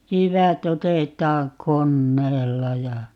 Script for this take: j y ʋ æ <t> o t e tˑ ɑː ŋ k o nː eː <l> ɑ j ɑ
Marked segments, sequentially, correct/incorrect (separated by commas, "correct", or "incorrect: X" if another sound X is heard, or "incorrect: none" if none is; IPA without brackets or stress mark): correct, incorrect: lː